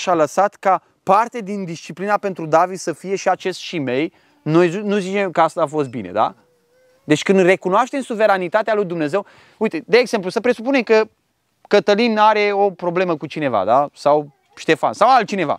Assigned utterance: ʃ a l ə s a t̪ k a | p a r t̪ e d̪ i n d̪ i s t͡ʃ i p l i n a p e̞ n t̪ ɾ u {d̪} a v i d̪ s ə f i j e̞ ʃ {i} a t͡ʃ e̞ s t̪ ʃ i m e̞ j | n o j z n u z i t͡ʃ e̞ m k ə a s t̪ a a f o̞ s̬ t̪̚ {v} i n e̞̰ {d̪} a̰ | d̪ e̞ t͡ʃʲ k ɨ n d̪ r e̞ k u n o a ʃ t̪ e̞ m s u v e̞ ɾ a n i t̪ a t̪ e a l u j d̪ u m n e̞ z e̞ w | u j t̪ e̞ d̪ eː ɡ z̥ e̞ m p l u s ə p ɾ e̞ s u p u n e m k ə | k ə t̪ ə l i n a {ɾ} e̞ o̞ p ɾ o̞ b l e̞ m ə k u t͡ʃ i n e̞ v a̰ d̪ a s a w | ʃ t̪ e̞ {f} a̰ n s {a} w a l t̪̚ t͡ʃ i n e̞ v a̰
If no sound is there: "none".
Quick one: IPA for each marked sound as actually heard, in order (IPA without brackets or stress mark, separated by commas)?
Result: d̪, i, b, d̪, ɾ, f, a